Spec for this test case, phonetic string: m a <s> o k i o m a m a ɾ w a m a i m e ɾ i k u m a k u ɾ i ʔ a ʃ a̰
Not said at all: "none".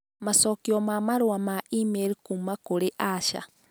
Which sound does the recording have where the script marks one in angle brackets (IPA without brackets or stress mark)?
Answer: s